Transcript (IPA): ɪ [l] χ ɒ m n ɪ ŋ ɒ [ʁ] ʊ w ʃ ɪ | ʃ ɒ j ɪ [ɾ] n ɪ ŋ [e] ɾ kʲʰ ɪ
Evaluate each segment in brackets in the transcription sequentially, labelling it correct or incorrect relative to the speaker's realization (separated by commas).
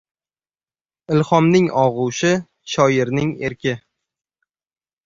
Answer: correct, correct, correct, correct